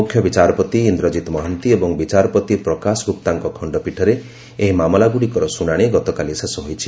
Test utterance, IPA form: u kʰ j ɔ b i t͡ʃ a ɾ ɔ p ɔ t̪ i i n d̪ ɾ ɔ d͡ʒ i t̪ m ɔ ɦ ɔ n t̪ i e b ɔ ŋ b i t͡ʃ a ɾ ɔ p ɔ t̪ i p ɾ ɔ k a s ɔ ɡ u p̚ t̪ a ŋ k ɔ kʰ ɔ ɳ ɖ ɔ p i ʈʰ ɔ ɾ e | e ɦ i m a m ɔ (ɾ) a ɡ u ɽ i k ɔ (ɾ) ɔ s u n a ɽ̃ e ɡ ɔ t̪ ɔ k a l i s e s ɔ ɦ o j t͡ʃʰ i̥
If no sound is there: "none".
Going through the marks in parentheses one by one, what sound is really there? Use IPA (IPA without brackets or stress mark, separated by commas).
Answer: l, ɾ